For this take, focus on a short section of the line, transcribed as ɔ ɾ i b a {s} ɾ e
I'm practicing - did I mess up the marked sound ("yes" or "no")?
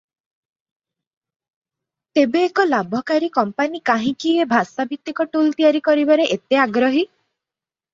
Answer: yes